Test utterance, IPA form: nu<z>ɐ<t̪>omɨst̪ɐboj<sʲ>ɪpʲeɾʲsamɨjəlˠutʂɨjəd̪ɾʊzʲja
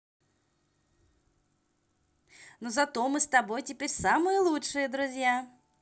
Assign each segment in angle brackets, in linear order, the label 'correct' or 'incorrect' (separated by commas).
correct, correct, incorrect